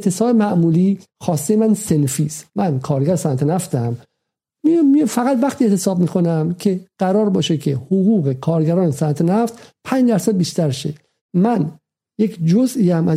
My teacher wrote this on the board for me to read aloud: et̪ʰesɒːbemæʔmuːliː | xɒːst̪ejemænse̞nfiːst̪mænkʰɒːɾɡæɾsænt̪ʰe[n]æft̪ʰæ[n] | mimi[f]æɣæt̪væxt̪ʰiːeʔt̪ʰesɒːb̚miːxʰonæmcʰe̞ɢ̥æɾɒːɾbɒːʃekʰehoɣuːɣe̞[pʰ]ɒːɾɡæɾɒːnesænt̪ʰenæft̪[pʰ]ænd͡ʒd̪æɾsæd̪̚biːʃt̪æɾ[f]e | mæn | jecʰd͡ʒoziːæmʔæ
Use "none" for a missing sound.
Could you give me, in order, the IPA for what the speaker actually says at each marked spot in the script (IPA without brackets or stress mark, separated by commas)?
n, m, f, kʰ, pʰ, ʃ